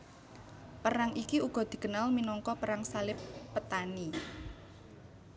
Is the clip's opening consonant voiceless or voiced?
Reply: voiceless